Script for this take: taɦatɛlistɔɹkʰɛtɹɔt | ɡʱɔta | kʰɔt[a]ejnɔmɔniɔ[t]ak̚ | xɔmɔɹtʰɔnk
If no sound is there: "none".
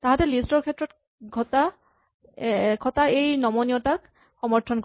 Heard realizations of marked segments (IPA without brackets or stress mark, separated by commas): a, t